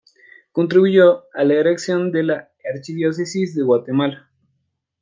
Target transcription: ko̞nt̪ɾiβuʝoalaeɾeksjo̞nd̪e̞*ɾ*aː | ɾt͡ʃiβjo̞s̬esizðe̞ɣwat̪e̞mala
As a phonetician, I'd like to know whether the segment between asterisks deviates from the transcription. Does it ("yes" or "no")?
yes